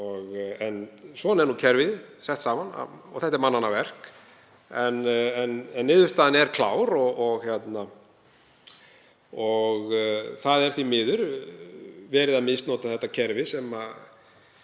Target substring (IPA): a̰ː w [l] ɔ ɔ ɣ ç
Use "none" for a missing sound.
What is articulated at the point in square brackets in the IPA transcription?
ɾ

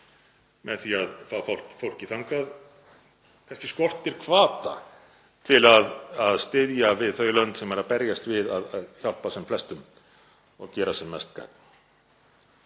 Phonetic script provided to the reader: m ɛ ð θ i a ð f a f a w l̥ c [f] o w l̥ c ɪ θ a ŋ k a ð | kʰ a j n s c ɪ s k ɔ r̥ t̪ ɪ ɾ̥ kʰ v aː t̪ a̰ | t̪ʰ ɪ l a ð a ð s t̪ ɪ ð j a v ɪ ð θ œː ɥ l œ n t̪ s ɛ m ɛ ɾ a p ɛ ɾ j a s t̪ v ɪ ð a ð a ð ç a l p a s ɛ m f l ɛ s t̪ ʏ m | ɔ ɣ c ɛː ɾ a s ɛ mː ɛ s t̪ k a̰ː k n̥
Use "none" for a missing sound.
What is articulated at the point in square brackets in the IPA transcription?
f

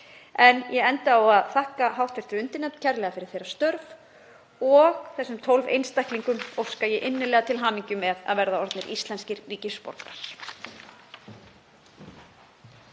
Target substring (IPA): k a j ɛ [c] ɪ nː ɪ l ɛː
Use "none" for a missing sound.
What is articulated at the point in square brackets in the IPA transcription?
ʔ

